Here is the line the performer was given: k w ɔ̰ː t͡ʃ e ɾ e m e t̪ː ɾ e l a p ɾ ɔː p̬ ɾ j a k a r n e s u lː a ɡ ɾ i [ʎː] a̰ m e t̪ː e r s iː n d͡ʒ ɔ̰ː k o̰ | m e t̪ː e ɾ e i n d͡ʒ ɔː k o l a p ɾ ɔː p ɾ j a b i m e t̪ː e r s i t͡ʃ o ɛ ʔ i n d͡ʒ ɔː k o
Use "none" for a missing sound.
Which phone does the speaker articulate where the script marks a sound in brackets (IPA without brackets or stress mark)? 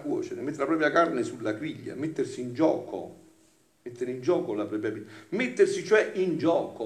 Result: ʎː